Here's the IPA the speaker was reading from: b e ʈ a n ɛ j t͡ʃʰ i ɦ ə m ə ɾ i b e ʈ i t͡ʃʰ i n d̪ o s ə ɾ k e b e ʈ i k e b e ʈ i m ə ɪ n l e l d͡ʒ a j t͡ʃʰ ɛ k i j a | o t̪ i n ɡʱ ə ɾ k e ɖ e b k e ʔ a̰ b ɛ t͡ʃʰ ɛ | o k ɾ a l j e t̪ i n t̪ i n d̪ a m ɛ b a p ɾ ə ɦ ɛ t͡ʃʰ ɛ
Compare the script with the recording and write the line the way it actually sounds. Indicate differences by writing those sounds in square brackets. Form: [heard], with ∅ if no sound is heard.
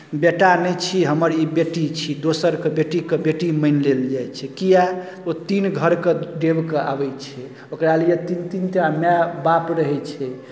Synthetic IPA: b e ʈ a n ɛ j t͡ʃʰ i ɦ ə m ə ɾ i b e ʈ i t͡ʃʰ i [∅] d̪ o s ə ɾ k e b e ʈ i k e b e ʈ i m ə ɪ n l e l d͡ʒ a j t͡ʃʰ ɛ k i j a | o t̪ i n ɡʱ ə ɾ k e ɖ e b k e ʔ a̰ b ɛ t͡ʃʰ ɛ | o k ɾ a l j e t̪ i n t̪ i n [t̪] a m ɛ b a p ɾ ə ɦ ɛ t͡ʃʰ ɛ